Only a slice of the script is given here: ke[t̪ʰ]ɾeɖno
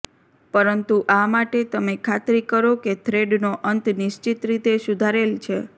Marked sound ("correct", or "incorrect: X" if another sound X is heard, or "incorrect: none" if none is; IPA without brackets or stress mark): correct